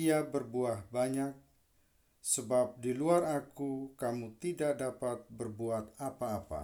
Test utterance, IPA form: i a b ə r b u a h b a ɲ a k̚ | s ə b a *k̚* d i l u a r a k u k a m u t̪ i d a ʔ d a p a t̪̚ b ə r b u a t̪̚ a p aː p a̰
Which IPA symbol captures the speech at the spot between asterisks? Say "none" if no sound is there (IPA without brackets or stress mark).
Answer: p̚